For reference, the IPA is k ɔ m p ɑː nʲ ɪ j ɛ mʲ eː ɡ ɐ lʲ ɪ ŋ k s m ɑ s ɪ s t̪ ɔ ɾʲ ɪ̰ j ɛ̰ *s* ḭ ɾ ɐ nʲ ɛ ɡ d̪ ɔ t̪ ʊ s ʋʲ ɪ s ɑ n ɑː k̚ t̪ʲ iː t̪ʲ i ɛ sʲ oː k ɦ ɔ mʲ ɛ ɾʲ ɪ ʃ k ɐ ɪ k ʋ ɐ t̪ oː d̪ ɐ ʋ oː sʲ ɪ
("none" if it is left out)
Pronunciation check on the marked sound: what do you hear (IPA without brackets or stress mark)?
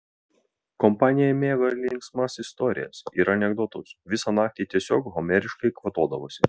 s